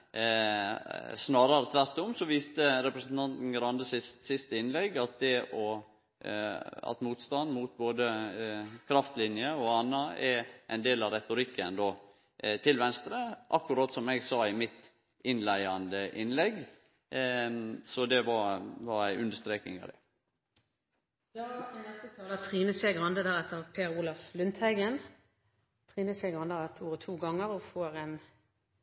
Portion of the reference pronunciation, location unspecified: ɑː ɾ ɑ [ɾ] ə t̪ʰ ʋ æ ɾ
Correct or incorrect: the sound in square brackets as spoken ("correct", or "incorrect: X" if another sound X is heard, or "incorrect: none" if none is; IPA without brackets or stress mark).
correct